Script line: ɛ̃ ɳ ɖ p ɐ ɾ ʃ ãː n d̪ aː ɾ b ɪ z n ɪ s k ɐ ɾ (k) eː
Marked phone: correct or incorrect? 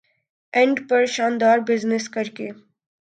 correct